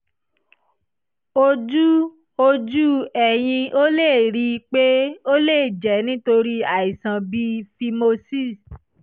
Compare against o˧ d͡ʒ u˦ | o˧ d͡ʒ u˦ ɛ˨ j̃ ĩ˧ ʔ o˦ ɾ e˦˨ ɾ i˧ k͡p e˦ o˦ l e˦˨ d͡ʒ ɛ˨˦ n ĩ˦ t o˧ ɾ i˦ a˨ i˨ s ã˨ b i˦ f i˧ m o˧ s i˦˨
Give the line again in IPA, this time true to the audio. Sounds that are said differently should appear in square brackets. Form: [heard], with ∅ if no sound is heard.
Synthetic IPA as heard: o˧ d͡ʒ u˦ | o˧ d͡ʒ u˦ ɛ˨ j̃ ĩ˧ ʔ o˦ [l] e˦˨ ɾ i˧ k͡p e˦ o˦ l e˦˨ d͡ʒ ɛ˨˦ n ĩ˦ t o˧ ɾ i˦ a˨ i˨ s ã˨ b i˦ f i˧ m o˧ s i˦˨